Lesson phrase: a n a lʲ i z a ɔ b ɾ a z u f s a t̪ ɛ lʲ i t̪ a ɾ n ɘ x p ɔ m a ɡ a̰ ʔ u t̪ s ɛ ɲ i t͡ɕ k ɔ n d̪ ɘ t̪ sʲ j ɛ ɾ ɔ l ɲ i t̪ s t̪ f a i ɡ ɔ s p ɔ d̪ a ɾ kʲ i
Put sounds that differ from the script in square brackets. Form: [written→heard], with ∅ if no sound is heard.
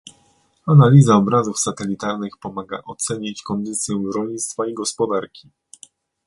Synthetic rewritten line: a n a lʲ i z a ɔ b ɾ a z u f s a t̪ ɛ lʲ i t̪ a ɾ n ɘ x p ɔ m a ɡ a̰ ʔ [u→ɔ] t̪ s ɛ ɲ i t͡ɕ k ɔ n d̪ ɘ t̪ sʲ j ɛ ɾ ɔ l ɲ i t̪ s t̪ f a i ɡ ɔ s p ɔ d̪ a ɾ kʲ i